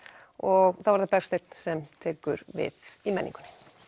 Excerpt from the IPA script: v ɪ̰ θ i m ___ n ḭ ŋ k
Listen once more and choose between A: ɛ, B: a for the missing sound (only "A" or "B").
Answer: A